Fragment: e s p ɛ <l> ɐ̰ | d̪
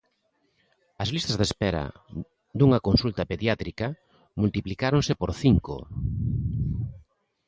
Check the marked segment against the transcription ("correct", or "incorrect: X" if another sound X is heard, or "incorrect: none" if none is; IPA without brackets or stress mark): incorrect: ɾ